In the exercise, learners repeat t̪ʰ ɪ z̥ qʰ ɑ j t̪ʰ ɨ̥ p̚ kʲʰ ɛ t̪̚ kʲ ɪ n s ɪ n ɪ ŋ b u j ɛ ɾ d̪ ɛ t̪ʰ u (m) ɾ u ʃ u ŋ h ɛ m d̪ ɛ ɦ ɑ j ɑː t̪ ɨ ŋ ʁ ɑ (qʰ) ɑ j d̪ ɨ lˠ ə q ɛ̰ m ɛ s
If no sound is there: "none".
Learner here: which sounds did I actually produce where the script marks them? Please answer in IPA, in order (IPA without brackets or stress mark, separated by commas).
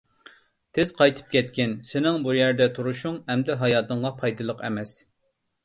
none, pʰ